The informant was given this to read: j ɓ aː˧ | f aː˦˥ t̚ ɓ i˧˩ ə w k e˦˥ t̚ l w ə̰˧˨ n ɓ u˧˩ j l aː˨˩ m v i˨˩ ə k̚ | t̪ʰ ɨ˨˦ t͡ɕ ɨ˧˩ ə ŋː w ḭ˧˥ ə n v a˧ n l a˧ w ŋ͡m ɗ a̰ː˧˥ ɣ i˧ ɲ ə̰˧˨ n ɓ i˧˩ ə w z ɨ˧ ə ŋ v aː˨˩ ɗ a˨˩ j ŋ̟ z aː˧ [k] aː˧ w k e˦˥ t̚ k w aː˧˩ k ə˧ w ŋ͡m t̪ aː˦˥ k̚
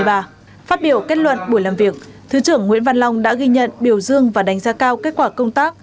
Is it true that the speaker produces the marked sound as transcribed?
yes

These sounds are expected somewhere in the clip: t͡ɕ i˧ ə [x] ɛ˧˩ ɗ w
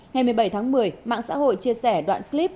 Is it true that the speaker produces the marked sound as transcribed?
no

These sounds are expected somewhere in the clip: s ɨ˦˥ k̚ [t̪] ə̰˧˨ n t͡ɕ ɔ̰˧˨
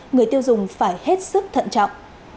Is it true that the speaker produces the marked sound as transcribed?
no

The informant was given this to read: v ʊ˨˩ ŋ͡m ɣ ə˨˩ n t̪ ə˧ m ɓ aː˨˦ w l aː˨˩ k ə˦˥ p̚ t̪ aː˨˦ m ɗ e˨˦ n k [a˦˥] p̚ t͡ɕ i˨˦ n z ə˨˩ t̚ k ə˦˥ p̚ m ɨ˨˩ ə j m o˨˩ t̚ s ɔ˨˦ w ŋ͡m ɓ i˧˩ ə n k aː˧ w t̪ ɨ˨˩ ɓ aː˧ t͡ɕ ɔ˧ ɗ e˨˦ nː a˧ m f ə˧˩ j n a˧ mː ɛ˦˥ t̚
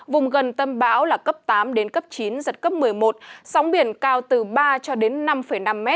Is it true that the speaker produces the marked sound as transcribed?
no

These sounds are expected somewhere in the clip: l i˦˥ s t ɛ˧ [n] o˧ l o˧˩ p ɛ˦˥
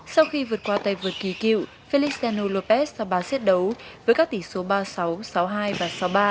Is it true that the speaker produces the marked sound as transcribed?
yes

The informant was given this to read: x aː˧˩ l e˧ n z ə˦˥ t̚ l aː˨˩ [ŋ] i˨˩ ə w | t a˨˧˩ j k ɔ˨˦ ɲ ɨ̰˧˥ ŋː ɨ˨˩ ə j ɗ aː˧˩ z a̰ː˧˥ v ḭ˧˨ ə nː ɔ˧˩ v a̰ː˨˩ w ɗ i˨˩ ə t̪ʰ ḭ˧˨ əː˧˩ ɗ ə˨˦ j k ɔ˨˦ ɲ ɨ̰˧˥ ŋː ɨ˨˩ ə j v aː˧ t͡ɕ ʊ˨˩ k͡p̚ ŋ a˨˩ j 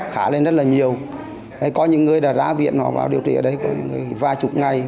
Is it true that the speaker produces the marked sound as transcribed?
no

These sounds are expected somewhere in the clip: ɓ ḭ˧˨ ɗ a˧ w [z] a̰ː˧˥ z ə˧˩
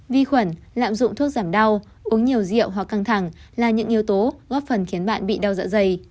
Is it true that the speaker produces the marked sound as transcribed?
yes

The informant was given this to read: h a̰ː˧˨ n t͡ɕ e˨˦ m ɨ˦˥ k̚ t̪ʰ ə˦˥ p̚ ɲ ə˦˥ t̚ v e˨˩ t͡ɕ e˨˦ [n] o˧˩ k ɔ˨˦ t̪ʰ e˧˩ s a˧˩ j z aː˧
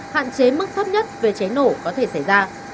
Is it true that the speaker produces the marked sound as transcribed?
yes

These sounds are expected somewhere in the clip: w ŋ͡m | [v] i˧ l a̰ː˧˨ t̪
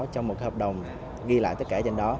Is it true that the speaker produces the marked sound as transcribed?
no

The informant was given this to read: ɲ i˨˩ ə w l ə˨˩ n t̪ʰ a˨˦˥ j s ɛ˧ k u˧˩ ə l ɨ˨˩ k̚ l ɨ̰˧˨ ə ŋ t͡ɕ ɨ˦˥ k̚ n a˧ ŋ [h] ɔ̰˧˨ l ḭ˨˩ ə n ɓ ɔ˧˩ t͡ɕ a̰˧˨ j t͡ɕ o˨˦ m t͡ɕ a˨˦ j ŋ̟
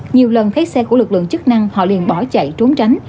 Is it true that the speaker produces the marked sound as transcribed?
yes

